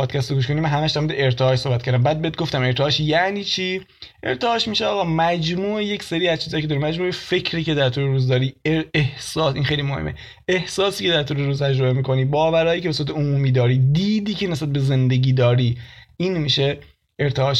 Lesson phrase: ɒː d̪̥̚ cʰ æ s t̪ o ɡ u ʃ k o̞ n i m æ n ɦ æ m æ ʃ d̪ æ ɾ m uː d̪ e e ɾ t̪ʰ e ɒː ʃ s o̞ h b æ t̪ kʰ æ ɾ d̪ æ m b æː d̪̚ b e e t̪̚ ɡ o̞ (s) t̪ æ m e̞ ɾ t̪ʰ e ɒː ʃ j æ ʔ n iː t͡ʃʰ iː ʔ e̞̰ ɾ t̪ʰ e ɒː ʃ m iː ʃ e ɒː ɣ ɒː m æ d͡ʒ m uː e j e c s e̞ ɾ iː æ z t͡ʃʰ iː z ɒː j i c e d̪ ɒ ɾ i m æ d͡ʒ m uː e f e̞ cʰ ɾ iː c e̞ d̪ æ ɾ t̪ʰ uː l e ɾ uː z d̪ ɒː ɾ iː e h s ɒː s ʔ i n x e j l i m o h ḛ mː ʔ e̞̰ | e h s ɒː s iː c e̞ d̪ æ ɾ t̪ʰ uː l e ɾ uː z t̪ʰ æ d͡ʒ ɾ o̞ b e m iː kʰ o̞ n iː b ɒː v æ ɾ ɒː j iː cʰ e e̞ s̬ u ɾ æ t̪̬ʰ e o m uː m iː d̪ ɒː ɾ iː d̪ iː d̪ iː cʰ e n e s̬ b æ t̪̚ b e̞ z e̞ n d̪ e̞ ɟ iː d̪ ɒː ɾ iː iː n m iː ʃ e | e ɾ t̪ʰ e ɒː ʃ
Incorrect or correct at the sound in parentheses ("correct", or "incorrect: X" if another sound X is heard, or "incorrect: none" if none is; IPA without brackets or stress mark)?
incorrect: f